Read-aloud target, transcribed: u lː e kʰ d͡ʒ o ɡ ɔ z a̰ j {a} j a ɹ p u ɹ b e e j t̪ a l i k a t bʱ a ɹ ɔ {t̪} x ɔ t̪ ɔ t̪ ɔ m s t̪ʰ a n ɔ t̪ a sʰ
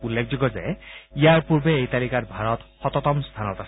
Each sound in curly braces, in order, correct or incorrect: incorrect, correct

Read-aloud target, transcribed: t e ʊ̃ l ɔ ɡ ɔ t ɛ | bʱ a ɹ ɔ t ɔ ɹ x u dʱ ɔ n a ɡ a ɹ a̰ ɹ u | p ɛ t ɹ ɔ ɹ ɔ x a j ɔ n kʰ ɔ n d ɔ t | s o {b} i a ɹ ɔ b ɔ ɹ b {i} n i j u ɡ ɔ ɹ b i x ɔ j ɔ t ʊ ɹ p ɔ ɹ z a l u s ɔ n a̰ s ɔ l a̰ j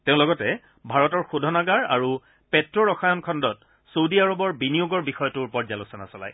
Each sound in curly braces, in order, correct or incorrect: incorrect, correct

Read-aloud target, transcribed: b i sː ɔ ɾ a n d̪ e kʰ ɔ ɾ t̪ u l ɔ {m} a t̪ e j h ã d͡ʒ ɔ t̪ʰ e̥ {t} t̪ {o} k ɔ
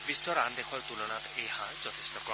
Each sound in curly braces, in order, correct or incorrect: incorrect, incorrect, incorrect

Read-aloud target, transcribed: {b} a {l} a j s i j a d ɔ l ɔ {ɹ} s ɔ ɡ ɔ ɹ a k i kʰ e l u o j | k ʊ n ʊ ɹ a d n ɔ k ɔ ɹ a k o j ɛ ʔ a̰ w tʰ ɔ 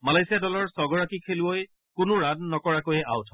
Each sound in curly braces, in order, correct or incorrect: incorrect, correct, correct

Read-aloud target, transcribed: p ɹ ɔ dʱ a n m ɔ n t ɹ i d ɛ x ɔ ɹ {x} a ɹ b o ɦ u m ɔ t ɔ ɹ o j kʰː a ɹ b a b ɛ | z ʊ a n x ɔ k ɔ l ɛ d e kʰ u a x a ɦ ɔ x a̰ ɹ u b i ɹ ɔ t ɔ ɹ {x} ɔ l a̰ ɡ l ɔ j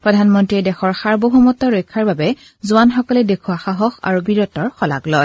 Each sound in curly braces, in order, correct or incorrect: correct, correct

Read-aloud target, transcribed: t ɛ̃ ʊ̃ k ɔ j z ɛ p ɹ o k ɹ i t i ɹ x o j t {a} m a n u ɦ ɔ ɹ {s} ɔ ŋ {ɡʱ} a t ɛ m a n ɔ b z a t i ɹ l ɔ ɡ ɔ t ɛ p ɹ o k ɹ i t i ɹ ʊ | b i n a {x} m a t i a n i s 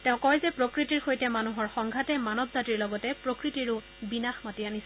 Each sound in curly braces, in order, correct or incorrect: incorrect, incorrect, correct, correct

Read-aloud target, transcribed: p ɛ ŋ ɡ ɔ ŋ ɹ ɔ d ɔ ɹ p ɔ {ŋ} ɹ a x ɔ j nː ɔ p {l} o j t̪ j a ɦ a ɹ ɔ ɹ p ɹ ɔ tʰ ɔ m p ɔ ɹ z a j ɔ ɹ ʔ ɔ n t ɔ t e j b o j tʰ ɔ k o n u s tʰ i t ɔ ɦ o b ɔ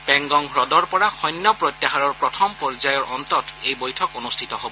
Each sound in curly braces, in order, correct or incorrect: incorrect, incorrect

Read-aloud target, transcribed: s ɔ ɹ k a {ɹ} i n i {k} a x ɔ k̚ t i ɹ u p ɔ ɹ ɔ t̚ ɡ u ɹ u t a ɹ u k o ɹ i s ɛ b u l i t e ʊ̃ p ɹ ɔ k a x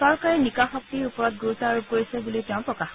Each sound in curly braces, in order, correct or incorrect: correct, correct

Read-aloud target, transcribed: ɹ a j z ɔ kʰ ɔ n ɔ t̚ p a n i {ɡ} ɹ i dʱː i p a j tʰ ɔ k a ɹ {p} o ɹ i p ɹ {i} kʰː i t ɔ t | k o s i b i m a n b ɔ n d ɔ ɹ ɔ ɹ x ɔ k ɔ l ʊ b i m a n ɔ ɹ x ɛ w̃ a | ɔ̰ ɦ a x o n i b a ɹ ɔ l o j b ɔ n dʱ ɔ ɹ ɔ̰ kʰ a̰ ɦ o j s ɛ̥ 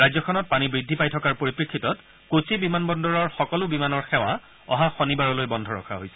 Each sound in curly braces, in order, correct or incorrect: incorrect, correct, correct

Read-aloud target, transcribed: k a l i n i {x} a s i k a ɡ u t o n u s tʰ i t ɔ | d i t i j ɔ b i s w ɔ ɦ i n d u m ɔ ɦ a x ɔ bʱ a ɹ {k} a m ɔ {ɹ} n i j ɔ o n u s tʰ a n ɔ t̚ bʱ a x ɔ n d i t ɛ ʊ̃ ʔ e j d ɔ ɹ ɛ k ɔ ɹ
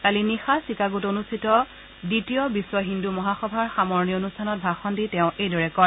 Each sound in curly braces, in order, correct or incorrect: correct, incorrect, correct

